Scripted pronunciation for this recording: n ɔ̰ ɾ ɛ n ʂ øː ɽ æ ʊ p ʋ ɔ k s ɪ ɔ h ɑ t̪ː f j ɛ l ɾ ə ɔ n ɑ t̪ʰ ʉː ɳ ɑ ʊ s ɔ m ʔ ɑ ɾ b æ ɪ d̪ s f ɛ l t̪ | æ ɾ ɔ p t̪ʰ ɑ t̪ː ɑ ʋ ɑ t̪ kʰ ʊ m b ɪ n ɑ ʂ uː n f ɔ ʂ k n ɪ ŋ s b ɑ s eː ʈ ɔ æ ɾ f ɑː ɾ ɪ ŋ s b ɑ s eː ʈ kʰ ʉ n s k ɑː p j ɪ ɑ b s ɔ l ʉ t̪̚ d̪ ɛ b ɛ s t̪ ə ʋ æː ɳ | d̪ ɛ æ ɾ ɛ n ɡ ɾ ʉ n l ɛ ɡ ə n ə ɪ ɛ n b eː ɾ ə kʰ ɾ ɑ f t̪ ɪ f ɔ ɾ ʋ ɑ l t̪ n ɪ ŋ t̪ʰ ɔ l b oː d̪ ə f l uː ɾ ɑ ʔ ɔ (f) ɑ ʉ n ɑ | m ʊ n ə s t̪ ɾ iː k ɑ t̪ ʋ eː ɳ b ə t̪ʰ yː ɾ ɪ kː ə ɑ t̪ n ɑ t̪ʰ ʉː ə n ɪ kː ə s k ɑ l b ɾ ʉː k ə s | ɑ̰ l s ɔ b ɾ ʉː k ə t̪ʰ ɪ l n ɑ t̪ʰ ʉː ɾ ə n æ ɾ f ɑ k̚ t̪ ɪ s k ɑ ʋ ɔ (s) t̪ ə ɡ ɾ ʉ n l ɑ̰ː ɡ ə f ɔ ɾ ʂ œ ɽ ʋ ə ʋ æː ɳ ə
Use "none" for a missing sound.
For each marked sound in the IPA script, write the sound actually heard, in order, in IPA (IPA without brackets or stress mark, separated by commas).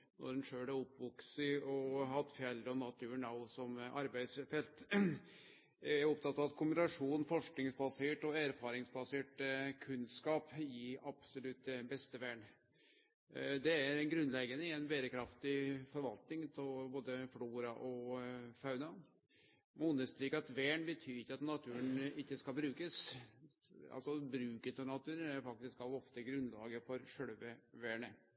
f, f